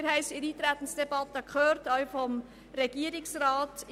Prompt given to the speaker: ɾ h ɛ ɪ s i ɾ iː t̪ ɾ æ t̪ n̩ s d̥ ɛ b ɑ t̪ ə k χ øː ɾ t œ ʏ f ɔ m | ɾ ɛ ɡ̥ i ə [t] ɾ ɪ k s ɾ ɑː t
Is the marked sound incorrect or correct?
incorrect